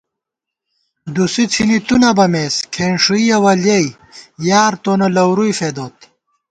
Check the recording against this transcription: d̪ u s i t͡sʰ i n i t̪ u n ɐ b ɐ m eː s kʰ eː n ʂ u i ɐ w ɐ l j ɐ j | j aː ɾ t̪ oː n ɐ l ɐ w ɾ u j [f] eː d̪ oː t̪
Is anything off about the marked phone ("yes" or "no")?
no